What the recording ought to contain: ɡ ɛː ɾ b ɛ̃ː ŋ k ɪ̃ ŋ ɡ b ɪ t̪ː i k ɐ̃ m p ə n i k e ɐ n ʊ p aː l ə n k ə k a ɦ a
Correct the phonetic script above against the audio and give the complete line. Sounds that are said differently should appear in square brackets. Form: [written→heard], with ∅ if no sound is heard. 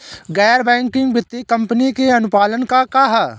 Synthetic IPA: ɡ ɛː ɾ b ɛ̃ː ŋ k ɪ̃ ŋ ɡ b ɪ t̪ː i k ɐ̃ m p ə n i k e ɐ n ʊ p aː l ə n k [ə→a] k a ɦ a